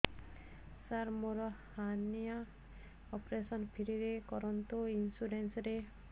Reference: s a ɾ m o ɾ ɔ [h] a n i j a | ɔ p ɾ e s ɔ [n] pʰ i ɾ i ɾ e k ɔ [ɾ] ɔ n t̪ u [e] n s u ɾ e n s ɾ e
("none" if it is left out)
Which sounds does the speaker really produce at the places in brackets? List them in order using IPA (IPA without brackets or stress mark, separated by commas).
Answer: h, n, ɾ, i